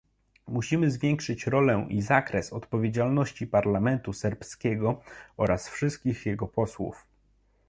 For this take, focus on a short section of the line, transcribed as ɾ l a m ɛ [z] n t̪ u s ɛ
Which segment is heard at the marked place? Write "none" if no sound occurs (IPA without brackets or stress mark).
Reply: none